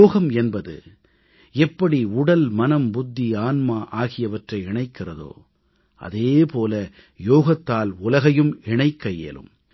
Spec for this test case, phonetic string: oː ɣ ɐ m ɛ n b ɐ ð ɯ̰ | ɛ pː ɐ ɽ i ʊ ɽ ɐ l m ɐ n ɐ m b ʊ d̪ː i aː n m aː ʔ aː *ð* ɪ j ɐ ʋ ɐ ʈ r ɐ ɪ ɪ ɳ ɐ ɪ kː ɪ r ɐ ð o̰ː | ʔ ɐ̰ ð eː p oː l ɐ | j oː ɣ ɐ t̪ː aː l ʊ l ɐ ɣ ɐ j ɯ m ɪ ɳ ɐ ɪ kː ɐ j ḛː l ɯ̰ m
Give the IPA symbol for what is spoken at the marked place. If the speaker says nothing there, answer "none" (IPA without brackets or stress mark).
ɣ